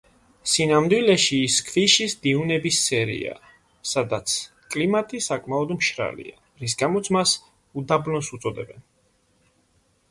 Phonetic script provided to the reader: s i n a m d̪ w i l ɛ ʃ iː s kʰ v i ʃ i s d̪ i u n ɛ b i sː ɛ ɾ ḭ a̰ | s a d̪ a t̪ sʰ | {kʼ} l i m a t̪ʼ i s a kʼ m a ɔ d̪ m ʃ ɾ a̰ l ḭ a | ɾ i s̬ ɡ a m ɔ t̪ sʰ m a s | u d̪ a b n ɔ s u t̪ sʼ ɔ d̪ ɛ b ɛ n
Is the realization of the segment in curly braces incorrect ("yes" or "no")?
no